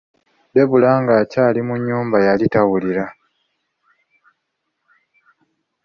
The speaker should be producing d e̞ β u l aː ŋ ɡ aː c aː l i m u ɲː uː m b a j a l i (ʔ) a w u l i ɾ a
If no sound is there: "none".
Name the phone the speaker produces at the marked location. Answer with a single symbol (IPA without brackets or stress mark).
t